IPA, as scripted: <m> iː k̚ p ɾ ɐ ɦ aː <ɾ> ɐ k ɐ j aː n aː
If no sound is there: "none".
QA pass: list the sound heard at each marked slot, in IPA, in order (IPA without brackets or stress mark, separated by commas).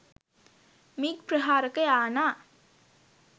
m, ɾ